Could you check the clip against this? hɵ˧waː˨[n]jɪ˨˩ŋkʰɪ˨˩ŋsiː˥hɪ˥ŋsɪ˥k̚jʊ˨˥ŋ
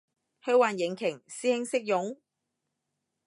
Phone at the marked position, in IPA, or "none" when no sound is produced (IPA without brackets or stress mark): n